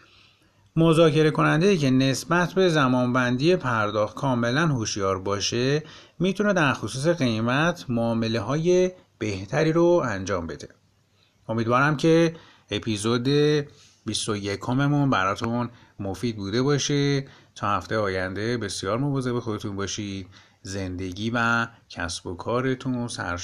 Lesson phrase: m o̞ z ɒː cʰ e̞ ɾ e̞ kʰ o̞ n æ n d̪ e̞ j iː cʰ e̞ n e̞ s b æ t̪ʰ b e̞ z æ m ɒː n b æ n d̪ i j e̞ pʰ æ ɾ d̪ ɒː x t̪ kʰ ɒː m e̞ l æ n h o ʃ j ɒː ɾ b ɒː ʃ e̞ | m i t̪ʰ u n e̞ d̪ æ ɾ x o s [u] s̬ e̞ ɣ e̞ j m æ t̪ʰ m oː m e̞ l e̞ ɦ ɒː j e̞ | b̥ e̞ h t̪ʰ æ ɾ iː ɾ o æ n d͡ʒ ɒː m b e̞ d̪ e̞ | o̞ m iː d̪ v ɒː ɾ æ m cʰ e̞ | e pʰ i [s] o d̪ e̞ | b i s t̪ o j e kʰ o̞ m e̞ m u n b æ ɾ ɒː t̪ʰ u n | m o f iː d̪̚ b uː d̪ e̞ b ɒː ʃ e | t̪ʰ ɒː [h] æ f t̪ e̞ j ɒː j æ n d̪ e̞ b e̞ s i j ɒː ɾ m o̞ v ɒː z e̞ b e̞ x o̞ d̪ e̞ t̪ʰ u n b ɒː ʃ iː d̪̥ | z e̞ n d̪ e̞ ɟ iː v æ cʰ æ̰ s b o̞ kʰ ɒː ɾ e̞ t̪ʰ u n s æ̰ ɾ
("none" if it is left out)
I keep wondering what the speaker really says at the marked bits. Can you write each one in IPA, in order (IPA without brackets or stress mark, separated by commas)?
uː, z, h